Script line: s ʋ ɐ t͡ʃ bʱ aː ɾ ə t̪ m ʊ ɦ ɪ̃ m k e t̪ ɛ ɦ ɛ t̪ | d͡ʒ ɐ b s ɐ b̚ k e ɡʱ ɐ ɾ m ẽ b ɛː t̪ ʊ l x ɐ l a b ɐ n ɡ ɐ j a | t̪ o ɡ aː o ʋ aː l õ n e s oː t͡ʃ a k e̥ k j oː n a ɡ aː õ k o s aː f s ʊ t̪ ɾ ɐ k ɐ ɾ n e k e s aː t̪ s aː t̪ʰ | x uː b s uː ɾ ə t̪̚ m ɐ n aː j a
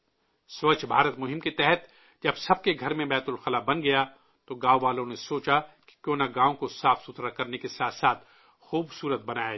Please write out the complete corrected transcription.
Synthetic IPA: s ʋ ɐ t͡ʃ bʱ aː ɾ ə t̪ m ʊ ɦ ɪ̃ m k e t̪ ɛ ɦ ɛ t̪ | d͡ʒ ɐ b s ɐ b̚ k e ɡʱ ɐ ɾ m ẽ b ɛː t̪ ʊ l x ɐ l a b ɐ n ɡ ɐ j a | t̪ o ɡ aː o ʋ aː l õ n e s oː t͡ʃ a k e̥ k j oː n a ɡ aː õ k o s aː f s ʊ t̪ ɾ a k ɐ ɾ n e k e s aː t̪ s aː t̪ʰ | x uː b s uː ɾ ə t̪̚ b ɐ n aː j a